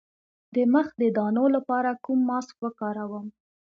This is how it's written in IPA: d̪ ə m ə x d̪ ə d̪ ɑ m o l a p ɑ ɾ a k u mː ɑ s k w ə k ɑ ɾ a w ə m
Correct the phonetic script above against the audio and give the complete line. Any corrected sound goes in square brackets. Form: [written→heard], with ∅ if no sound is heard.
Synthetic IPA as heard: d̪ ə m ə x d̪ ə d̪ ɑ [m→n] o l a p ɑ ɾ a k u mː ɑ s k w ə k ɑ ɾ a w ə m